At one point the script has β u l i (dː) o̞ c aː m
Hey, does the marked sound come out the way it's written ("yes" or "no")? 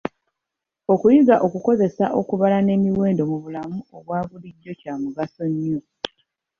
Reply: no